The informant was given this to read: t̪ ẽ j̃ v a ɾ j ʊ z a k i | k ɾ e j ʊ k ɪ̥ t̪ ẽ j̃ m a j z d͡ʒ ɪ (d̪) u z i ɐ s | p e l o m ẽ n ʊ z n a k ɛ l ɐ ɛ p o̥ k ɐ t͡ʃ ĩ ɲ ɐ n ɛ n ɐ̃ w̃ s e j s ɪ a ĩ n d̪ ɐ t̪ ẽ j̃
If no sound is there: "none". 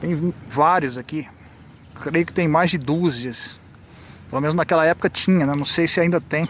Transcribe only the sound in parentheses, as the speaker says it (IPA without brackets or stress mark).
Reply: d̪